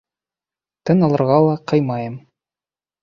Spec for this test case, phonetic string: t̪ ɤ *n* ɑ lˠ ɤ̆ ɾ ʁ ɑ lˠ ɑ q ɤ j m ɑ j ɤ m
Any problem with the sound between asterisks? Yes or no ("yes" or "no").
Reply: no